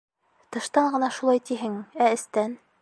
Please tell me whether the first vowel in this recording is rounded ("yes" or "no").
no